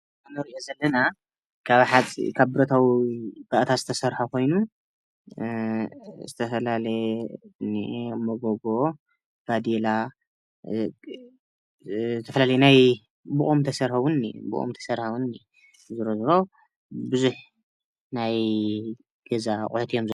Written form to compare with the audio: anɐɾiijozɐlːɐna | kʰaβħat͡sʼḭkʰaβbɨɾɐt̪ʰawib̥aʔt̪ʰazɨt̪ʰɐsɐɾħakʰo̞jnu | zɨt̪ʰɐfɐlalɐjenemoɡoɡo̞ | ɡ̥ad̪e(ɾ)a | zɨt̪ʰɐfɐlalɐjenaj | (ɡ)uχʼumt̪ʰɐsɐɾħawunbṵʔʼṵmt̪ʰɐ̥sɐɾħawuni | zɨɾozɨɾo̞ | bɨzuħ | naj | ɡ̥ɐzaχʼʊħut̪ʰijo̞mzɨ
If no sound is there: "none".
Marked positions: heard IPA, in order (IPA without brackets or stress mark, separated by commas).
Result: l, b